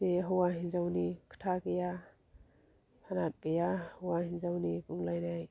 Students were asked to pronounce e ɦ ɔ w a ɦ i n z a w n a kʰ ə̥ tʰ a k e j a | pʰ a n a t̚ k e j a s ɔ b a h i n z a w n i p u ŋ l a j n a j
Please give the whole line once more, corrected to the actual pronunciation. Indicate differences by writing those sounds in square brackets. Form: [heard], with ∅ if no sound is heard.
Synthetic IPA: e ɦ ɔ w a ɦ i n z a w n [i] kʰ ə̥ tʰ a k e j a | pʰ a n a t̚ k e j a [h] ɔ [w] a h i n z a w n i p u ŋ l a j n a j